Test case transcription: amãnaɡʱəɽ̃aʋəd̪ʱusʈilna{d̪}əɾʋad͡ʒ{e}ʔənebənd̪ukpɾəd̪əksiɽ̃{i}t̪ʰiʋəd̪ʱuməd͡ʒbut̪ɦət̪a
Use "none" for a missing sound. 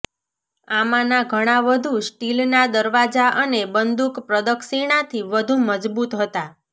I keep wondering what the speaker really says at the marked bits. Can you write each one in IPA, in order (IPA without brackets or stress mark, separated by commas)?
d̪, a, a